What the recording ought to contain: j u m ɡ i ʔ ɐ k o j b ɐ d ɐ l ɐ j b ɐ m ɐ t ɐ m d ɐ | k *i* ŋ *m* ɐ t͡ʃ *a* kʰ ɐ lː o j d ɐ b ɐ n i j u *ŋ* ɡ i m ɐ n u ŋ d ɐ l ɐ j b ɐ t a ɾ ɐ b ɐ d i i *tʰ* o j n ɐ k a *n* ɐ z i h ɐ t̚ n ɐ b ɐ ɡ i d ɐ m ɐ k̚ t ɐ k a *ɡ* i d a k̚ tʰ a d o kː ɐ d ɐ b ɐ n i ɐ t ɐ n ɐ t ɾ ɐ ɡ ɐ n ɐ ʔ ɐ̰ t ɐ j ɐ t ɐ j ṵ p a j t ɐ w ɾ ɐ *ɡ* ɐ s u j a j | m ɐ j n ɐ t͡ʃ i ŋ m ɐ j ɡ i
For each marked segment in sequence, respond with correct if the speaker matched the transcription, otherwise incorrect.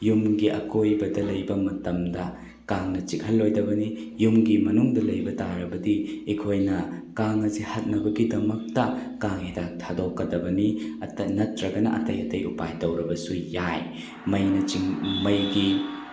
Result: incorrect, incorrect, incorrect, incorrect, incorrect, incorrect, incorrect, incorrect

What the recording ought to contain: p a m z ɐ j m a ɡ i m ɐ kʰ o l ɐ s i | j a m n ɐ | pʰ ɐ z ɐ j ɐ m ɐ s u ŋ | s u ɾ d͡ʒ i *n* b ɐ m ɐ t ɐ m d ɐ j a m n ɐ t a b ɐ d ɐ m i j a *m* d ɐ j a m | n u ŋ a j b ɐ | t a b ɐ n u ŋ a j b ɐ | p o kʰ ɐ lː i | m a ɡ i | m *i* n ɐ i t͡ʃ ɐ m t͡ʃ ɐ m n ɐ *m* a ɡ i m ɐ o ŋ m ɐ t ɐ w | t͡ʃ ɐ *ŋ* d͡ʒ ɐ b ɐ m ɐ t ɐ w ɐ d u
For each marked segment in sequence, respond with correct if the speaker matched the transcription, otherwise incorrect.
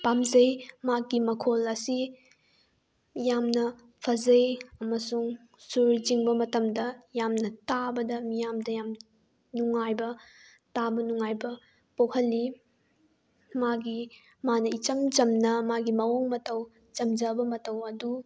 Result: incorrect, correct, incorrect, correct, incorrect

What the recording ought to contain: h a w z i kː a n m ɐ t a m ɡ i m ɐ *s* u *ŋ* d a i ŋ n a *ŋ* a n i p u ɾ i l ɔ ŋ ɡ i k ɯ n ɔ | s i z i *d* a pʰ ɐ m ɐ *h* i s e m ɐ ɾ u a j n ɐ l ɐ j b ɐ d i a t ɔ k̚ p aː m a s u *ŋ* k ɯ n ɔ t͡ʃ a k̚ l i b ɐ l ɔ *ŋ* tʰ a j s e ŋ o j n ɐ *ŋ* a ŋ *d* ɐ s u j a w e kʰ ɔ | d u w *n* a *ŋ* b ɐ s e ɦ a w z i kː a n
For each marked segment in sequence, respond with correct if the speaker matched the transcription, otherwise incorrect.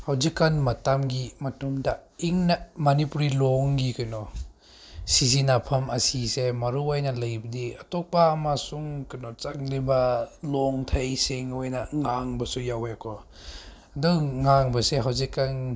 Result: incorrect, incorrect, incorrect, incorrect, incorrect, correct, correct, correct, incorrect, incorrect, correct

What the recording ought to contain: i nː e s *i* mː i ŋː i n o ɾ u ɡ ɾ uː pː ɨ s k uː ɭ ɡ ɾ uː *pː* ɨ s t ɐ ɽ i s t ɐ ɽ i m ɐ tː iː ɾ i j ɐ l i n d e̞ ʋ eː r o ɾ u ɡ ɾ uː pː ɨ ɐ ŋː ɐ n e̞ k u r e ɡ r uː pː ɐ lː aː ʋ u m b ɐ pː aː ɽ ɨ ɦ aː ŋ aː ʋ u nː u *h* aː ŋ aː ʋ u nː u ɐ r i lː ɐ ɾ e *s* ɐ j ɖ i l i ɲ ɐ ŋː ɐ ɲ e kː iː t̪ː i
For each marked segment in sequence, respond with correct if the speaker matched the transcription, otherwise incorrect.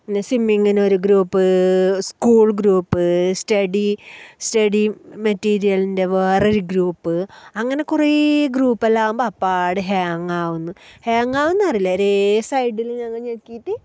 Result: correct, correct, correct, correct

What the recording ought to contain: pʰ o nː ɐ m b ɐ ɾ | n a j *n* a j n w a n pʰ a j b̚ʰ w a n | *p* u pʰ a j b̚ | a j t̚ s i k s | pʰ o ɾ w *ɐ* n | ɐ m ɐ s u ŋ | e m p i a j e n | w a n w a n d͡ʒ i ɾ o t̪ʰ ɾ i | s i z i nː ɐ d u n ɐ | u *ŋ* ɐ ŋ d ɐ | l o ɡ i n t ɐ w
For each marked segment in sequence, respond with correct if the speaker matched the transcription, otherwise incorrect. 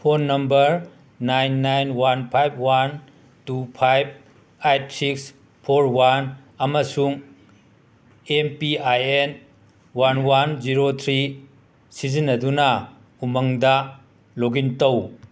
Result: incorrect, incorrect, incorrect, incorrect

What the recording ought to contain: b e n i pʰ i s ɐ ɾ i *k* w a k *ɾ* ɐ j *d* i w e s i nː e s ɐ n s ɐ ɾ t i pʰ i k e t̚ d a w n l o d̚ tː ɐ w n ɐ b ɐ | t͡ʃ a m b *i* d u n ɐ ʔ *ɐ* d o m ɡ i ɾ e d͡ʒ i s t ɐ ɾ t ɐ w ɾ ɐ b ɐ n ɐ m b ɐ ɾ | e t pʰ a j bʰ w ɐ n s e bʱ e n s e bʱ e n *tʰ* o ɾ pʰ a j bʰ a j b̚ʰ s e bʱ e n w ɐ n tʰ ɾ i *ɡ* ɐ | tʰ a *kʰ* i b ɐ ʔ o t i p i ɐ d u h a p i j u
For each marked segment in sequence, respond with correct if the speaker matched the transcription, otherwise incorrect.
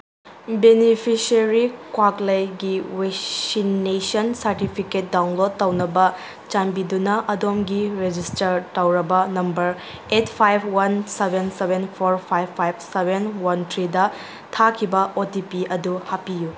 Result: correct, incorrect, incorrect, correct, correct, incorrect, incorrect, correct

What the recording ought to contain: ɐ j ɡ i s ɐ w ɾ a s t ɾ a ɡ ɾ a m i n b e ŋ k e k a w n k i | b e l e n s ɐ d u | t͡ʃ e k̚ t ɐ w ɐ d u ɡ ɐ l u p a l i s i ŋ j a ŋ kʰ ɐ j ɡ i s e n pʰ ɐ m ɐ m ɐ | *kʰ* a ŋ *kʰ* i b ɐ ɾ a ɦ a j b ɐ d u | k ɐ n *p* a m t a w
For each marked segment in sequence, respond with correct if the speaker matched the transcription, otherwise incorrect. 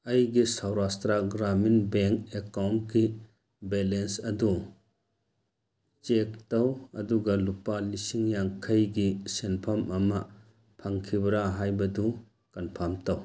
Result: incorrect, correct, incorrect

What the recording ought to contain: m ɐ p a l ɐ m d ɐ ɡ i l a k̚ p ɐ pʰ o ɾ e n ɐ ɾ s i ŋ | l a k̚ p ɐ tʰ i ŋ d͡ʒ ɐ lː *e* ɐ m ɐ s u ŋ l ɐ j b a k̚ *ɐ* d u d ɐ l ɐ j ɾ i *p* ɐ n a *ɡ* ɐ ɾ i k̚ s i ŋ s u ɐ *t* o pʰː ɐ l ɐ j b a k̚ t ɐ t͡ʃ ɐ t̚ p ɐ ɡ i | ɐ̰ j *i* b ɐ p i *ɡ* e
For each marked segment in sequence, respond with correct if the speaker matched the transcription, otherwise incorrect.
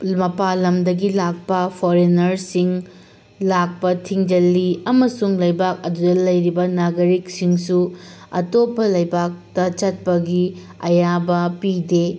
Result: incorrect, correct, incorrect, correct, correct, incorrect, incorrect

